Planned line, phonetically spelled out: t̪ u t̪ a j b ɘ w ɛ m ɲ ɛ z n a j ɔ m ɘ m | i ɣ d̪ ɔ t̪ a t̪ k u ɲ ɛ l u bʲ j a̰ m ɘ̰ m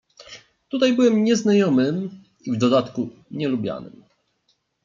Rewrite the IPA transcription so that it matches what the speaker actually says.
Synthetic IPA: t̪ u t̪ a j b ɘ w ɛ m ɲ ɛ z n a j ɔ m ɘ m | i v d̪ ɔ d̪ a t̪ k u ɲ ɛ l u bʲ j a̰ n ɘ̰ m

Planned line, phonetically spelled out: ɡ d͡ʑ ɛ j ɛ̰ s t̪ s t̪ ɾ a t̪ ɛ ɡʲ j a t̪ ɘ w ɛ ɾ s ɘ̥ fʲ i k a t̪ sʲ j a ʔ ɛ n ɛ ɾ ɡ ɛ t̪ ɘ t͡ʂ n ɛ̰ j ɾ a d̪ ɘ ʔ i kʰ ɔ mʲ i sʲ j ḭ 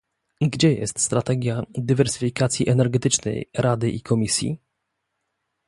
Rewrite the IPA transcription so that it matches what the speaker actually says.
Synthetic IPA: ɡ d͡ʑ ɛ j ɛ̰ s t̪ s t̪ ɾ a t̪ ɛ ɡʲ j a d̪ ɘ v ɛ ɾ s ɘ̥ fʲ i k a t̪ sʲ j i ʔ ɛ n ɛ ɾ ɡ ɛ t̪ ɘ t͡ʂ n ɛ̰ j ɾ a d̪ ɘ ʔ i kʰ ɔ mʲ i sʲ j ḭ

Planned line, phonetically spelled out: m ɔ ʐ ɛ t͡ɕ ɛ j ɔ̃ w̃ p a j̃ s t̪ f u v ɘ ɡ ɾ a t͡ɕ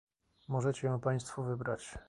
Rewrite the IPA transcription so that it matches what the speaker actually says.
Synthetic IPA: m ɔ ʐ ɛ t͡ɕ ɛ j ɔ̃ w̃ p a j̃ s t̪ f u v ɘ b ɾ a t͡ɕ

